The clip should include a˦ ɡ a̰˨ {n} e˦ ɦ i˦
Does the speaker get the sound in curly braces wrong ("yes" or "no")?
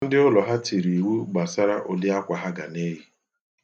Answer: no